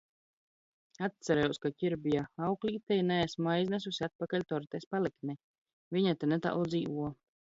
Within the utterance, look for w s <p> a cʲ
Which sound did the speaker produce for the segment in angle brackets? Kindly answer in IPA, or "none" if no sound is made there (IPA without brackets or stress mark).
k